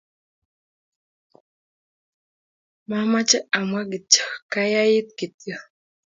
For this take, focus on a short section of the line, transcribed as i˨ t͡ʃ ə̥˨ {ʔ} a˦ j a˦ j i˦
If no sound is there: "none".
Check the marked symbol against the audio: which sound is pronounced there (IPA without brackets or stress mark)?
k